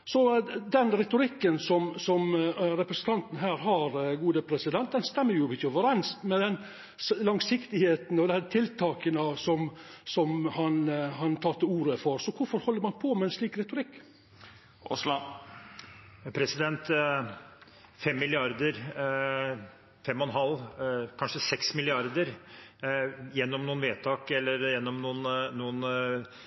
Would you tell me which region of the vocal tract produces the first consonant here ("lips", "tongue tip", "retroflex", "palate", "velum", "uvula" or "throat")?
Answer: tongue tip